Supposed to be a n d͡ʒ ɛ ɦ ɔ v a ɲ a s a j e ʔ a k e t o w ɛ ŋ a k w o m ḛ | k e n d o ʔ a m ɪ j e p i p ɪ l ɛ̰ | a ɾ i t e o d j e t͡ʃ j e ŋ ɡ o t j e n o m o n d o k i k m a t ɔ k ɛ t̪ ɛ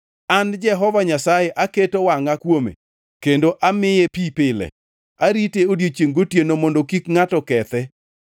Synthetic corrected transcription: a n d͡ʒ ɛ ɦ ɔ v a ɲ a s a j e ʔ a k e t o w a ŋ a k w o m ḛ | k e n d o ʔ a m ɪ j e p i p ɪ l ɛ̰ | a ɾ i t e o d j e t͡ʃ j e ŋ ɡ o t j e n o m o n d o k i k ŋ a t ɔ k ɛ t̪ ɛ

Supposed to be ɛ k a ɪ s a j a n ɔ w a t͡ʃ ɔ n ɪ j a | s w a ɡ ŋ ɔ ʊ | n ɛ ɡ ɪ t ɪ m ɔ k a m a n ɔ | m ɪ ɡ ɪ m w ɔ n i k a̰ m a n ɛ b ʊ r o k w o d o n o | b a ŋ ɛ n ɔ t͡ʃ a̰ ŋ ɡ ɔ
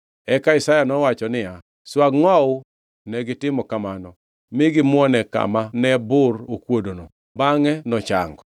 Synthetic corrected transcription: ɛ k a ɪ s a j a n ɔ w a t͡ʃ ɔ n ɪ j a | s w a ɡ ŋ ɔ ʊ | n ɛ ɡ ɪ t ɪ m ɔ k a m a n ɔ | m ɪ ɡ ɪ m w ɔ n ɛ k a̰ m a n ɛ b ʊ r o k w o d o n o | b a ŋ ɛ n ɔ t͡ʃ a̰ ŋ ɡ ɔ

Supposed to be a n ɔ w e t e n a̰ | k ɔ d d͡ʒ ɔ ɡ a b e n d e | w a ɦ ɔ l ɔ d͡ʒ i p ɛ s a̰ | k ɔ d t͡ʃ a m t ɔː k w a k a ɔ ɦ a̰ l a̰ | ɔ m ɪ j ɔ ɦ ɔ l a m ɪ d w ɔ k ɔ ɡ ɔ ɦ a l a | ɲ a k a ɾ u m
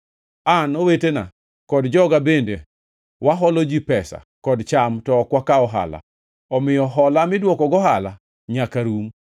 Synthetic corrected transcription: a n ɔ w e t e n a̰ | k ɔ d d͡ʒ ɔ ɡ a b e n d e | w a ɦ ɔ l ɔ d͡ʒ i p ɛ s a̰ | k ɔ d t͡ʃ a m t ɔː k w a k a ɔ ɦ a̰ l a̰ | ɔ m ɪ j ɔ ɦ ɔ l a m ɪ d w ɔ k ɔ ɡ ɔ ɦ a l a | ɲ a k a ɾ u m

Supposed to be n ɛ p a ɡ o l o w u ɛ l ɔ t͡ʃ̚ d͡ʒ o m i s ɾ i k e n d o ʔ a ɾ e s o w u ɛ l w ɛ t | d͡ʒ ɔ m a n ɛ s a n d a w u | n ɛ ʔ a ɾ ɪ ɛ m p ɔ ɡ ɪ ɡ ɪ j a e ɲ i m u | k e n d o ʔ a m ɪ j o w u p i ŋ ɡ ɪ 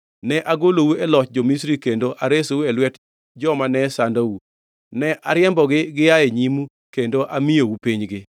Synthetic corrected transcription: n ɛ ʔ a ɡ o l o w u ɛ l ɔ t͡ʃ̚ d͡ʒ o m i s ɾ i k e n d o ʔ a ɾ e s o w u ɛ l w ɛ t | d͡ʒ ɔ m a n ɛ s a n d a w u | n ɛ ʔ a ɾ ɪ ɛ m b ɔ ɡ ɪ ɡ ɪ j a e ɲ i m u | k e n d o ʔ a m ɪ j o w u p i ɲ ɡ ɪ

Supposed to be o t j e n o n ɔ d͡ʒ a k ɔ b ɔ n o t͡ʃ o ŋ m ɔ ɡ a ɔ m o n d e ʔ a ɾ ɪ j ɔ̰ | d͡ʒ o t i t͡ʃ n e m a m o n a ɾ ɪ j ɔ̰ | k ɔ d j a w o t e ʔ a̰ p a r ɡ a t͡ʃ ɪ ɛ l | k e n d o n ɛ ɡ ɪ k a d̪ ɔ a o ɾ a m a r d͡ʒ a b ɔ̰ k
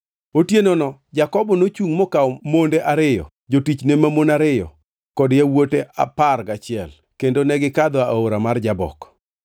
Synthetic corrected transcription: o t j e n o n ɔ d͡ʒ a k ɔ b ɔ n o t͡ʃ u ŋ m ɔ k a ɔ m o n d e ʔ a ɾ ɪ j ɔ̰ | d͡ʒ o t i t͡ʃ n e m a m o n a ɾ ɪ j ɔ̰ | k ɔ d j a w o t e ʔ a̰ p a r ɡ a t͡ʃ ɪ ɛ l | k e n d o n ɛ ɡ ɪ k a d̪ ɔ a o ɾ a m a r d͡ʒ a b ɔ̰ k

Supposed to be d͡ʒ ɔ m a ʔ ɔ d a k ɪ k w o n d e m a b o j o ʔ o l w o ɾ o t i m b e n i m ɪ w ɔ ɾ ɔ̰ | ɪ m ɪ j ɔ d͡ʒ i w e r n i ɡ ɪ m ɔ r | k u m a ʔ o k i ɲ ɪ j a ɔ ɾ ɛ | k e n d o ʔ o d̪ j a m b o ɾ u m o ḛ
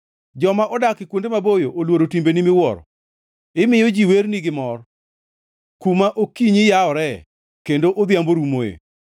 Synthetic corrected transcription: d͡ʒ ɔ m a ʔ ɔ d a k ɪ k w o n d e m a b o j o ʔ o l w o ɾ o t i m b e n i m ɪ w ɔ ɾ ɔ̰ | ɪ m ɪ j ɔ d͡ʒ i w e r n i ɡ ɪ m ɔ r | k u m a ʔ o k i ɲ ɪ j a ɔ ɾ ɛ | k e n d o ʔ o d̪ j a m b o ɾ u m o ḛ

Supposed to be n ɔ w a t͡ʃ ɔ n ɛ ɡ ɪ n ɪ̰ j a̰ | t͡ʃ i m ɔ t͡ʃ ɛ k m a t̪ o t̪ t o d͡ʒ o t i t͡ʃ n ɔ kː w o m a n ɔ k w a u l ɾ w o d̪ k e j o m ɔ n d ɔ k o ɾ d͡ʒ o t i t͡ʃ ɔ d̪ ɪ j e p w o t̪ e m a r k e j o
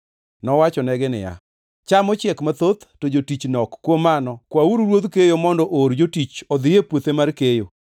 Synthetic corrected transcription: n ɔ w a t͡ʃ ɔ n ɛ ɡ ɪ n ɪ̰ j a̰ | t͡ʃ a m ɔ t͡ʃ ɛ k m a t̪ o t̪ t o d͡ʒ o t i t͡ʃ n ɔ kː w o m a n ɔ k w a u ɾ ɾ w o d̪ k e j o m ɔ n d ɔ ʔ o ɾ d͡ʒ o t i t͡ʃ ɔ d̪ ɪ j e p w o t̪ e m a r k e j o

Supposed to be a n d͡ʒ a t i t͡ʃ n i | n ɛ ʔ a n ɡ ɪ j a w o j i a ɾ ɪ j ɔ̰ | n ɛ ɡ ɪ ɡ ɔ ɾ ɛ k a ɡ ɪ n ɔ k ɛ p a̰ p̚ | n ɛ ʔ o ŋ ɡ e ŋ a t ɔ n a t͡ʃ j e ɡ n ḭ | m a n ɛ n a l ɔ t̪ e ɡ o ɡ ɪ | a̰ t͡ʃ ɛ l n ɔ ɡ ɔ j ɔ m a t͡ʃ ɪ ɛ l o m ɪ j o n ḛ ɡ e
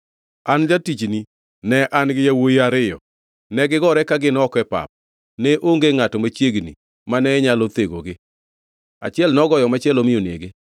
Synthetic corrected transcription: a n d͡ʒ a t i t͡ʃ n i | n ɛ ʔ a n ɡ ɪ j a w o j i a ɾ ɪ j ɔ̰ | n ɛ ɡ ɪ ɡ ɔ ɾ ɛ k a ɡ ɪ n ɔ k ɛ p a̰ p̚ | n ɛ ʔ o ŋ ɡ e ŋ a t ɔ m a t͡ʃ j e ɡ n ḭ | m a n ɛ ɲ a l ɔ t̪ e ɡ o ɡ ɪ | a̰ t͡ʃ ɛ l n ɔ ɡ ɔ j ɔ m a t͡ʃ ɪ ɛ l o m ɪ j o n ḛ ɡ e

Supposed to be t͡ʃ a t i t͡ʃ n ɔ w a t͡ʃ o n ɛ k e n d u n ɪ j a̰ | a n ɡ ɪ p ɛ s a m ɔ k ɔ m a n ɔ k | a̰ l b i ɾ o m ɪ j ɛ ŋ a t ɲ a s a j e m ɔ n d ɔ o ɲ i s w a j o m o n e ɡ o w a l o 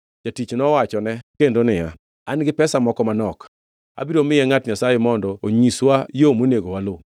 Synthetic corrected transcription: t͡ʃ a t i t͡ʃ n ɔ w a t͡ʃ ɔ n ɛ k e n d o n ɪ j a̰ | a n ɡ ɪ p ɛ s a m ɔ k ɔ m a n ɔ k | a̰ b i ɾ o m ɪ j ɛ ŋ a t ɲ a s a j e m ɔ n d ɔ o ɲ i s w a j o m o n e ɡ o w a l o

